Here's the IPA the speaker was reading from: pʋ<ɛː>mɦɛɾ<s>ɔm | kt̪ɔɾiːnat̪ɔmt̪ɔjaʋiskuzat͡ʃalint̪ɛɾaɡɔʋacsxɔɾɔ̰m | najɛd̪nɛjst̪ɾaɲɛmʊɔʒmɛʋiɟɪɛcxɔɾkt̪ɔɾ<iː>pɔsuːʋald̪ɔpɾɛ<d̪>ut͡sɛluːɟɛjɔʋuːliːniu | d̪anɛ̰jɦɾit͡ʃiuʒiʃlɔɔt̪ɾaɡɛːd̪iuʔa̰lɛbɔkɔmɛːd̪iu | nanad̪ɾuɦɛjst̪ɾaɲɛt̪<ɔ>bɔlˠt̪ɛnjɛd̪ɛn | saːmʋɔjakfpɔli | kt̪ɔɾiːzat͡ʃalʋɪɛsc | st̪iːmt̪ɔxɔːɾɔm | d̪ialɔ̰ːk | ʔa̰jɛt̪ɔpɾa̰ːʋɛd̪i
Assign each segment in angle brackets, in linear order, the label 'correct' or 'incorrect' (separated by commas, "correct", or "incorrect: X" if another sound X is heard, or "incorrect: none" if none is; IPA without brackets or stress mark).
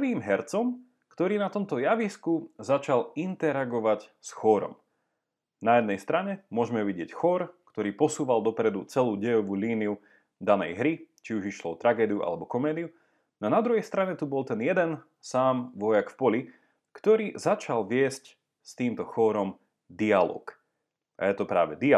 incorrect: iː, incorrect: t͡s, correct, correct, incorrect: u